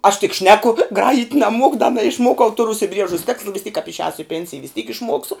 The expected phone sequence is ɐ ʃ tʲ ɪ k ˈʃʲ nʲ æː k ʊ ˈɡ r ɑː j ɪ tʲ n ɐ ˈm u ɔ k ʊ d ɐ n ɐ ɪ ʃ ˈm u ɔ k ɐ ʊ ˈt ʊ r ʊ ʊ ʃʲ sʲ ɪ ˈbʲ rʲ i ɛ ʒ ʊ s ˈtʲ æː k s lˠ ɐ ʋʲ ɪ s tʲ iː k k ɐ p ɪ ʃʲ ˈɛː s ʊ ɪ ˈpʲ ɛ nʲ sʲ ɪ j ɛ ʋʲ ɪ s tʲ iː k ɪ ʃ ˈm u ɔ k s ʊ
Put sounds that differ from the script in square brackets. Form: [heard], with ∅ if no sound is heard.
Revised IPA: ɐ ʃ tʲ ɪ k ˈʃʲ nʲ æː k ʊ ˈɡ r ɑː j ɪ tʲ n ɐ ˈm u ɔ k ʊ d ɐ n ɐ ɪ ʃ ˈm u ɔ k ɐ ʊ ˈt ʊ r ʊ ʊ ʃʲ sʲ ɪ ˈbʲ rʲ i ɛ ʒ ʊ s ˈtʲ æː k s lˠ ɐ ʋʲ ɪ s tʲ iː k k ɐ p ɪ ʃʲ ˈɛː s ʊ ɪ ˈpʲ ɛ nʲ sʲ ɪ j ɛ ʋʲ ɪ s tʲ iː k ɪ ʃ ˈm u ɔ k s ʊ